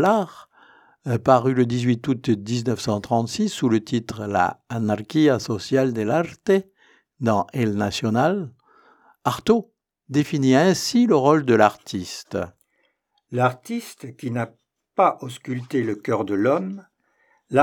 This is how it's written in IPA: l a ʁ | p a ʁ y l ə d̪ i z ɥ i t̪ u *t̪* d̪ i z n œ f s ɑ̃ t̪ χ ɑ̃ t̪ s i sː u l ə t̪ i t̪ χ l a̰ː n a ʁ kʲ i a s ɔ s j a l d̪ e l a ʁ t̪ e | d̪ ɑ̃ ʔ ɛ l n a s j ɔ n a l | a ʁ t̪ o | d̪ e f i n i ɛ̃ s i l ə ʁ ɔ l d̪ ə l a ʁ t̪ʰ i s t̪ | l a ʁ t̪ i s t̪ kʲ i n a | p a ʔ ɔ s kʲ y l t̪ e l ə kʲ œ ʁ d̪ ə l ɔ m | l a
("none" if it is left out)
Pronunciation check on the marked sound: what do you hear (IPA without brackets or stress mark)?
t̪